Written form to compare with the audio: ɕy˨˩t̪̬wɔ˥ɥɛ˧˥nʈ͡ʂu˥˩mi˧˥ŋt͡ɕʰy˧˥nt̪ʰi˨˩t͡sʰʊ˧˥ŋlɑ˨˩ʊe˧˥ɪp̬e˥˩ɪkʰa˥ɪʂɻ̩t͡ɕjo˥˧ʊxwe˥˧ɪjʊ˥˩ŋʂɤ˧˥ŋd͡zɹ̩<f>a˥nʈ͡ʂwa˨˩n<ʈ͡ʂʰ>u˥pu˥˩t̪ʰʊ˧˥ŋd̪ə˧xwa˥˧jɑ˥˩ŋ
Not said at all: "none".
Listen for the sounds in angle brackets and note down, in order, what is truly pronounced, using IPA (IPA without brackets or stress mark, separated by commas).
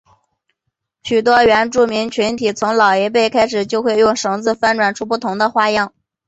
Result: f, ʈ͡ʂʰ